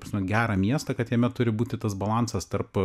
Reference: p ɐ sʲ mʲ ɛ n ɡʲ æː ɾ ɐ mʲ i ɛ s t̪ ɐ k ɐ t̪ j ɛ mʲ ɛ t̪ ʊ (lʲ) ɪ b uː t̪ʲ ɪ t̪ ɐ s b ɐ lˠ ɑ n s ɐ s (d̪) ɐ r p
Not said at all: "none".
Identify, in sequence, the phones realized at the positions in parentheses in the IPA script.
ɾʲ, t̪

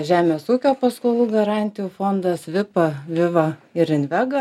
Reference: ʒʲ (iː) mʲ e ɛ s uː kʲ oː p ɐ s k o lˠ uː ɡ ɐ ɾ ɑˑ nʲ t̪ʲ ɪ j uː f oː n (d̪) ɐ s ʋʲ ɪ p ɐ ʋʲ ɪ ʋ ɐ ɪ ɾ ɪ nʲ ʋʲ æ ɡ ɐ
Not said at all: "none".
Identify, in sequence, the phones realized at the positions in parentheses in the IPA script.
æː, d̪

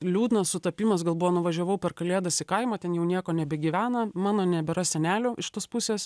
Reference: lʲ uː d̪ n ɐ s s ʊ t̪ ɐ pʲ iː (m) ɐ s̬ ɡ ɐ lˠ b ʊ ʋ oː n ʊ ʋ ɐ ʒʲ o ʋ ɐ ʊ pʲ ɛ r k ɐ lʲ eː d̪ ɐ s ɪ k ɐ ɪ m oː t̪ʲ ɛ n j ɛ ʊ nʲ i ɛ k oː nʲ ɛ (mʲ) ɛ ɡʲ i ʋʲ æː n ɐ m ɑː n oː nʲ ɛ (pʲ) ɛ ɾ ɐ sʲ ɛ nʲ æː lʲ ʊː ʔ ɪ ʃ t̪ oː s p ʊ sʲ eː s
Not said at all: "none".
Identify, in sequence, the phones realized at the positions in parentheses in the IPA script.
m, bʲ, bʲ

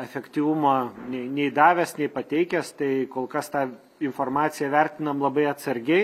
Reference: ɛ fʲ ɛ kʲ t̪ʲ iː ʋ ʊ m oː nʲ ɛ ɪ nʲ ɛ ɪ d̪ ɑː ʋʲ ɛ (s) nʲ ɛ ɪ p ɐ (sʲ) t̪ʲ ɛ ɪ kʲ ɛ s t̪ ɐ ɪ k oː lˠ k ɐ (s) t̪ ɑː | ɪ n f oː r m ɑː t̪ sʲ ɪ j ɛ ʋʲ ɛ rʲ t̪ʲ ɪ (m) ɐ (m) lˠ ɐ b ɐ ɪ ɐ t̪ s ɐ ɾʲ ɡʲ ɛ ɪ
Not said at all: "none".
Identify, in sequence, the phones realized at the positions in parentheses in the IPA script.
s, none, s, n, m

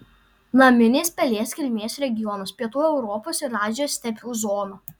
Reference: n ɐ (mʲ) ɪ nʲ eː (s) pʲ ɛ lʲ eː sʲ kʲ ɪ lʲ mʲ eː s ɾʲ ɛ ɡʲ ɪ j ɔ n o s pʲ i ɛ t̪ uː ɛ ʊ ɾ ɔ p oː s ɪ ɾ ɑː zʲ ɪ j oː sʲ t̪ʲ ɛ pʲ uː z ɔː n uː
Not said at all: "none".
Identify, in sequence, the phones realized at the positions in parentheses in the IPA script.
mʲ, s

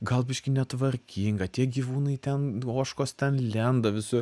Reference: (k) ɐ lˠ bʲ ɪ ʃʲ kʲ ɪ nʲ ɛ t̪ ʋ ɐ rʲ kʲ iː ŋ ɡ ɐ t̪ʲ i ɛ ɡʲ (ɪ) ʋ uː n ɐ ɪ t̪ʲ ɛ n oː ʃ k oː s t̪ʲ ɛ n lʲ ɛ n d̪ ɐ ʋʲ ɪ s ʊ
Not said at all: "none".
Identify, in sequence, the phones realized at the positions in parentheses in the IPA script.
ɡ, i

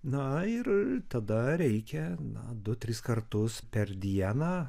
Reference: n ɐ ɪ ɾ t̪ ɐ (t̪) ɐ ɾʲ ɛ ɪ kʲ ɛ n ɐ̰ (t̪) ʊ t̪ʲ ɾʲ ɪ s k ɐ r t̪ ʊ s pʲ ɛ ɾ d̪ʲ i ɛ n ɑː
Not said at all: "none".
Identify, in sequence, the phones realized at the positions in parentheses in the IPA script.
d̪, d̪

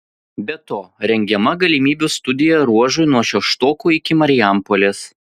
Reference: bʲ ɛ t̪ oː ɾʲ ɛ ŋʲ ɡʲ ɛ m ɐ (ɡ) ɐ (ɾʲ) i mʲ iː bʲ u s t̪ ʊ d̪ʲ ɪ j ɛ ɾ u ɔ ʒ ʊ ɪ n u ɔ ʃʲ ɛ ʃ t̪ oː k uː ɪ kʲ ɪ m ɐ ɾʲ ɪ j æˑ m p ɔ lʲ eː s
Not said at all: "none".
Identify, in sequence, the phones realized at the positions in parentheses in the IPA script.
ɡ, lʲ

